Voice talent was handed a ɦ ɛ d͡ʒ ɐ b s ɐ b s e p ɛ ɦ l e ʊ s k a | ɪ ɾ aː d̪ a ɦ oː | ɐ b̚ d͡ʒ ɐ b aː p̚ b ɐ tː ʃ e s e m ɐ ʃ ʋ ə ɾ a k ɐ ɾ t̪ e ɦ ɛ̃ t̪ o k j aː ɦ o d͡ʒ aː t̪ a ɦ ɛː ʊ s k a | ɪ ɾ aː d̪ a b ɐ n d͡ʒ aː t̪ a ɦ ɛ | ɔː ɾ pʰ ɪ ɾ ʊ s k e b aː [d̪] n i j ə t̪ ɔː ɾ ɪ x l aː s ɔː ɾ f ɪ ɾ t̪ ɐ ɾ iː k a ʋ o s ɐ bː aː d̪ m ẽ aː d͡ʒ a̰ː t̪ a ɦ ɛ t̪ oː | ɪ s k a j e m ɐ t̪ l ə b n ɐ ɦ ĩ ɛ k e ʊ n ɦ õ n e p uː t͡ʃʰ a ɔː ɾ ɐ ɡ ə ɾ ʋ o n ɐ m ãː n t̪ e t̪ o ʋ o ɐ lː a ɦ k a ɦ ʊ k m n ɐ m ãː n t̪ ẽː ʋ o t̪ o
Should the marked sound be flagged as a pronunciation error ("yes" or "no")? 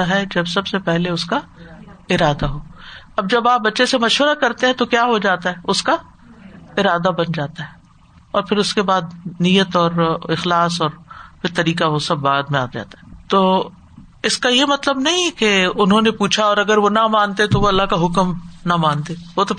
no